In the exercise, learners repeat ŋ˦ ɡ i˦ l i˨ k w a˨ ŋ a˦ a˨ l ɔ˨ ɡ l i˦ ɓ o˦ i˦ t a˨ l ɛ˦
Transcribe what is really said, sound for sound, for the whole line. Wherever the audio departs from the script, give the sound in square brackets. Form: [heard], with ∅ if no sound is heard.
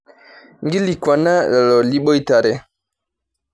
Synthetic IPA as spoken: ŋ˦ ɡ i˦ l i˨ k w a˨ [n] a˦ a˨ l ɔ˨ [∅] l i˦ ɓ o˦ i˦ t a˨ [ɾ] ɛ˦